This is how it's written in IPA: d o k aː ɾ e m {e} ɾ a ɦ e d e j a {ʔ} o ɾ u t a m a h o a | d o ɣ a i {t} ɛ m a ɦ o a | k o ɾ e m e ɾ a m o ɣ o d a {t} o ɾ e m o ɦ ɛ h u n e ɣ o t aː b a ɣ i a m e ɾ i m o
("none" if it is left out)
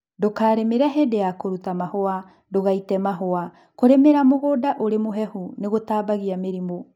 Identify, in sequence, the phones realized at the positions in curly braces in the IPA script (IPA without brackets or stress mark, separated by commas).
e, k, t, ʔ